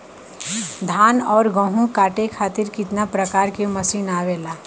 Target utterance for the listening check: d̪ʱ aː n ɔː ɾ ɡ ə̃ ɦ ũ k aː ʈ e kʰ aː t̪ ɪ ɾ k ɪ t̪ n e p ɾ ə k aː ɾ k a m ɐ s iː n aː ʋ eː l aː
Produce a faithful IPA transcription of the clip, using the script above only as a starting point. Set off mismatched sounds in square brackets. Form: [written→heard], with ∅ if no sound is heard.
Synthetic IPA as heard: d̪ʱ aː n ɔː ɾ ɡ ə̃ ɦ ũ k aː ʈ e kʰ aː t̪ ɪ ɾ k ɪ t̪ n [e→a] p ɾ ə k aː ɾ k [a→e] m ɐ s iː n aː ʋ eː l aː